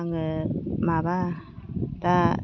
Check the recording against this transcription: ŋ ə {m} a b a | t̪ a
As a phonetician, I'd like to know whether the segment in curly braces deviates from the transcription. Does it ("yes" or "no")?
no